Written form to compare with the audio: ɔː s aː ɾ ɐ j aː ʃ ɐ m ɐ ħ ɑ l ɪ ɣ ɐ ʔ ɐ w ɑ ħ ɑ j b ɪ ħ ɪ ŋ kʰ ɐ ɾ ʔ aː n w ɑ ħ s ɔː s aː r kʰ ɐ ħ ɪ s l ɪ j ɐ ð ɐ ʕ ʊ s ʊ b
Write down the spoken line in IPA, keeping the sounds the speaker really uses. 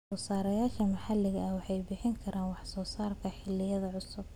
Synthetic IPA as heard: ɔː s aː ɾ ɐ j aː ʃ ɐ m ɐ ħ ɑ l ɪ ɣ ɐ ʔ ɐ w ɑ ħ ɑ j b ɪ ħ ɪ ŋ kʰ ɐ ɾ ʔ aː n w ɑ ħ s ɔː s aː r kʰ ɐ ħ ɪ l ɪ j ɐ ð ɐ ʕ ʊ s ʊ b